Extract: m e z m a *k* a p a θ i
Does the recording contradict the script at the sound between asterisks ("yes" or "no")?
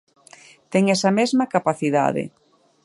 no